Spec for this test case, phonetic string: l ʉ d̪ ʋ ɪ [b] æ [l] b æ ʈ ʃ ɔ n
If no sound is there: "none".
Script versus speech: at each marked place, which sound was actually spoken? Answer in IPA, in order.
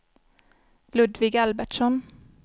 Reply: ɡ, l

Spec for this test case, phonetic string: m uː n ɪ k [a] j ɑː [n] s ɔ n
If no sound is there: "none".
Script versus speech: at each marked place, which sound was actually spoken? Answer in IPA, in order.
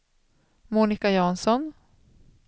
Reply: a, n

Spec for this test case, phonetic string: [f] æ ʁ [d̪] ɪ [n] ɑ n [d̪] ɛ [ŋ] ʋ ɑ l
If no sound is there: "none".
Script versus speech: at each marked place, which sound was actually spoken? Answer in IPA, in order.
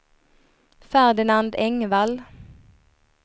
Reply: f, d̪, n, d̪, ŋ

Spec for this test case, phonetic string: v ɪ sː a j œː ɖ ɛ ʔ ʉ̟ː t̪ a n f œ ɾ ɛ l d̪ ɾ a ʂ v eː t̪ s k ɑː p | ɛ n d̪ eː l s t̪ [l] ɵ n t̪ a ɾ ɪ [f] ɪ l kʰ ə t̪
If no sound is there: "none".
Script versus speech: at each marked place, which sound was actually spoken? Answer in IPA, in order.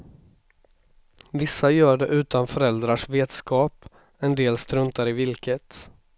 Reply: ɾ, v

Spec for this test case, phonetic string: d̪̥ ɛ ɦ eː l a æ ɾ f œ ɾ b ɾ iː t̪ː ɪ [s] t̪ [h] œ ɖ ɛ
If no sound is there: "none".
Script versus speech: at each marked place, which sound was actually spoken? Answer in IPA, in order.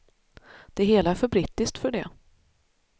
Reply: s, f

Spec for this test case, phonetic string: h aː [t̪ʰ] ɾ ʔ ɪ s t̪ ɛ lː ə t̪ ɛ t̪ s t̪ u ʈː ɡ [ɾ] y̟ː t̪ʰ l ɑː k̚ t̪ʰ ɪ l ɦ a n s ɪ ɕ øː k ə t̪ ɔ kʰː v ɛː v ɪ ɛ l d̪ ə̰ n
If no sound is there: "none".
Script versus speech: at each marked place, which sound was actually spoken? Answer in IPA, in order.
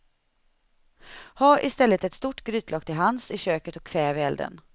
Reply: none, ɾ

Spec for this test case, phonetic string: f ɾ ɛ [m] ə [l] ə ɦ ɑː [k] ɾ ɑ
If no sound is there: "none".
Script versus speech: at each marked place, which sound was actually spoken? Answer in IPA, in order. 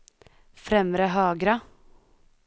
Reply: m, ɾ, ɡ

